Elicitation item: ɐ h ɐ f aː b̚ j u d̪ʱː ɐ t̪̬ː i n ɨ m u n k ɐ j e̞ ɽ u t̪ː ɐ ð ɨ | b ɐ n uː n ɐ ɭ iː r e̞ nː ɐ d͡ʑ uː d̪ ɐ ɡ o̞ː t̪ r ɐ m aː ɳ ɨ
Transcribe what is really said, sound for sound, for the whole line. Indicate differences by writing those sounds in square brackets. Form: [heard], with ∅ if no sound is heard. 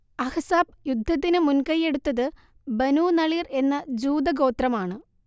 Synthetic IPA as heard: ɐ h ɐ [s] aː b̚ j u d̪ʱː ɐ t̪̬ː i n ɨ m u n k ɐ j e̞ ɽ u t̪ː ɐ ð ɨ | b ɐ n uː n ɐ ɭ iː r e̞ nː ɐ d͡ʑ uː d̪ ɐ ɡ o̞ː t̪ r ɐ m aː ɳ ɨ